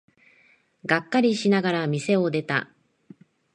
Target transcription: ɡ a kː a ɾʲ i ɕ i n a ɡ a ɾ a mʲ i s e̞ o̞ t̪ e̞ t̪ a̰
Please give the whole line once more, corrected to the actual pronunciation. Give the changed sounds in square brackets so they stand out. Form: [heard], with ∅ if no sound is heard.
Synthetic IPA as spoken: ɡ a kː a ɾʲ i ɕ i n a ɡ a ɾ a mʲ i s e̞ o̞ [d̪] e̞ t̪ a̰